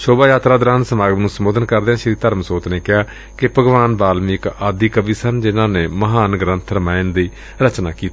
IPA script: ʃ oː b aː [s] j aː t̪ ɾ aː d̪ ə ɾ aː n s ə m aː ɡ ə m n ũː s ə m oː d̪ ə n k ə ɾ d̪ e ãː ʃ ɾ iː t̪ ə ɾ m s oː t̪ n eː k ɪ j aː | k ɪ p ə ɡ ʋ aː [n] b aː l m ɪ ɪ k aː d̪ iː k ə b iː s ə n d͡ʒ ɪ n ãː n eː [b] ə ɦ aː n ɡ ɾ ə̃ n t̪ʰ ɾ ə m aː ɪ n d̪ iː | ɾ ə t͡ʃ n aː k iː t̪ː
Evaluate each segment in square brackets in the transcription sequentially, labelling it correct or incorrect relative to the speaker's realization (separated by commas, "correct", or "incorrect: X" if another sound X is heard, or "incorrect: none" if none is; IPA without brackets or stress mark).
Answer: incorrect: none, correct, incorrect: m